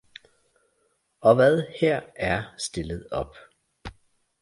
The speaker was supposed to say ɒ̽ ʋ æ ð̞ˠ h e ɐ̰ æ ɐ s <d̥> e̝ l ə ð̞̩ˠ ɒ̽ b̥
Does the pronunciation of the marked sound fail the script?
no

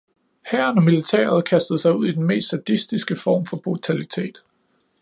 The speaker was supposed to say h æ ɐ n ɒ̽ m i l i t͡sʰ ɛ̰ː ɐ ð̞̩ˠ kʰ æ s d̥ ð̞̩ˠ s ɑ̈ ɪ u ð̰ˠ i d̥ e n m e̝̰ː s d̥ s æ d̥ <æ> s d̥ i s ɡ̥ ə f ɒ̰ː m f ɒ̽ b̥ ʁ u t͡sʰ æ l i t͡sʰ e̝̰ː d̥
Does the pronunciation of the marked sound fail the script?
yes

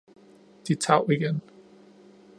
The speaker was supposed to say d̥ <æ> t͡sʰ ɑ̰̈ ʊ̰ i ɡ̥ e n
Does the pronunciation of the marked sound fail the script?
yes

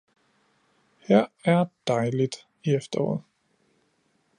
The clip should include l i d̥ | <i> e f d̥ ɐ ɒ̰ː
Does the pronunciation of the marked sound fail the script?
no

